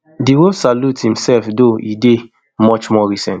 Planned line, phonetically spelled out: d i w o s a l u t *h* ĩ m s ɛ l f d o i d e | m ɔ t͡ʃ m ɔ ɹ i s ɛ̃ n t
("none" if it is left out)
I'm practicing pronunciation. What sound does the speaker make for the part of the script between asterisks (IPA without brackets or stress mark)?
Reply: h